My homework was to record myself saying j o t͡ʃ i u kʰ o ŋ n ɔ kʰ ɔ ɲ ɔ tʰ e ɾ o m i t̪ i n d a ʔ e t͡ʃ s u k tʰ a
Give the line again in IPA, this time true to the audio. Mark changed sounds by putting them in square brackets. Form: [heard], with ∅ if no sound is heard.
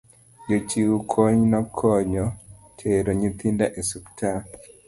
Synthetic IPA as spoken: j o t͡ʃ i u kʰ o [ɲ] n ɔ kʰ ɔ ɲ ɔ tʰ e ɾ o [ɲ] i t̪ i n d a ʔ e [∅] s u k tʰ a